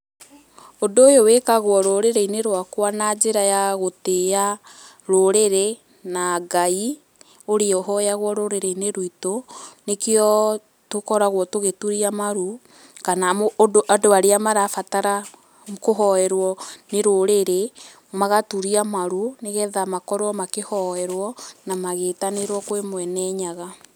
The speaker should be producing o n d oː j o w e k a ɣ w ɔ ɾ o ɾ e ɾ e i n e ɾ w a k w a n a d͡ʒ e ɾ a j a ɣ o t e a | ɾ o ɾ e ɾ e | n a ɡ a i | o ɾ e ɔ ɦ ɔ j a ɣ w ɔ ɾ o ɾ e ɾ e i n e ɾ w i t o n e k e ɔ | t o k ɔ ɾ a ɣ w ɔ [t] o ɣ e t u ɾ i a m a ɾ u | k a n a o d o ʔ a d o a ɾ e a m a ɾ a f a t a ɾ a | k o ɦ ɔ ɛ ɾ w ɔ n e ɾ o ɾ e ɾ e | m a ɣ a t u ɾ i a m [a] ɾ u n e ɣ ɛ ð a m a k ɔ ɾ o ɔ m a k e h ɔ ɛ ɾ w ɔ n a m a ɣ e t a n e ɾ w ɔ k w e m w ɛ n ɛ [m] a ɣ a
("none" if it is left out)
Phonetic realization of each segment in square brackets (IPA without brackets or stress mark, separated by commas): t, a, ɲ